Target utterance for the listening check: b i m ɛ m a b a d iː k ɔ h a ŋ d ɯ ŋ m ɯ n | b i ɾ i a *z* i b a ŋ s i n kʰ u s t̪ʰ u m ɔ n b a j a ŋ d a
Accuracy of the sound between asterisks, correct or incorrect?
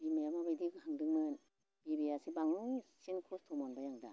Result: incorrect